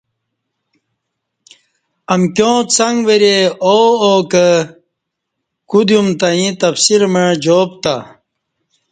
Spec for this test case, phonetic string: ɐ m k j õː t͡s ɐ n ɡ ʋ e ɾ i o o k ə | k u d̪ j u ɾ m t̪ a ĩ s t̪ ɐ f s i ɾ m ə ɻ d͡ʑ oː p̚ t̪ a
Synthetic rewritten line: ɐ m k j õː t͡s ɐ ŋ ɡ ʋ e ɾ e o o k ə | k u d̪ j u m t̪ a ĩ t̪ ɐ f s i ɾ m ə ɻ d͡ʑ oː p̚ t̪ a